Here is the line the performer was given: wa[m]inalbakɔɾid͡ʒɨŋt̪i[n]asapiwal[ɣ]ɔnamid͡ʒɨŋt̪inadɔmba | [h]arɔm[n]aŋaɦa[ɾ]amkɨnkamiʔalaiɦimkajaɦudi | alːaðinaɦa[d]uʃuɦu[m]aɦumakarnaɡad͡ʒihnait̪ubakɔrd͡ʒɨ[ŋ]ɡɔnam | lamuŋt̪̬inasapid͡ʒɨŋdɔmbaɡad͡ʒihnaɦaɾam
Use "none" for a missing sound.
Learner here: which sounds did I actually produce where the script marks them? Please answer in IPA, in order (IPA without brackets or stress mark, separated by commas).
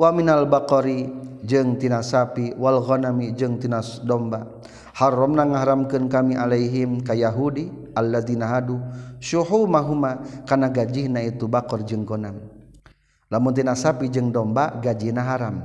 m, n, ɣ, h, n, ɾ, d, m, ŋ